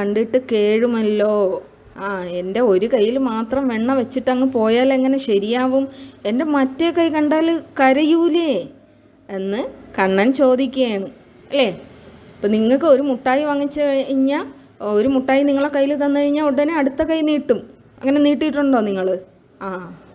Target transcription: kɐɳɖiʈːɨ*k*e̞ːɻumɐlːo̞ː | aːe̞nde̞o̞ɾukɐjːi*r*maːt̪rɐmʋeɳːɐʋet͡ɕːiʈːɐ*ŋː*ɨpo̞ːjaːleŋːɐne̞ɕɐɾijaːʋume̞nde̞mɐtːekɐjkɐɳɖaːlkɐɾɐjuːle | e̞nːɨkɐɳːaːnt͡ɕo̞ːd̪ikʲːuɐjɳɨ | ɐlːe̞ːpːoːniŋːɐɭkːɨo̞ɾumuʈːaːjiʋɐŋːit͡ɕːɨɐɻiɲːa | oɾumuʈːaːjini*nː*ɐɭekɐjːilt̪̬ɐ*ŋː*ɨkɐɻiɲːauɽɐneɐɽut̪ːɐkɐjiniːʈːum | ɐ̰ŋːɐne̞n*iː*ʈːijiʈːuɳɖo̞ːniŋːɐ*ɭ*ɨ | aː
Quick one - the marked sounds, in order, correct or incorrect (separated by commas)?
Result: correct, incorrect, correct, incorrect, incorrect, correct, correct